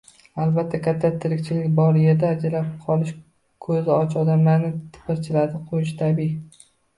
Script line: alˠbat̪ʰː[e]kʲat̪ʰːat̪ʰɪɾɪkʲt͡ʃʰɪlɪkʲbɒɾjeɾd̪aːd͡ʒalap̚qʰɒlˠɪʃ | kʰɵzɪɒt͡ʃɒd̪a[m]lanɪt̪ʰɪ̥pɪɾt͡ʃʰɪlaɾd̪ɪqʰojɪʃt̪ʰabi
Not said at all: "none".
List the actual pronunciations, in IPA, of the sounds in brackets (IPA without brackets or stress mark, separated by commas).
a, m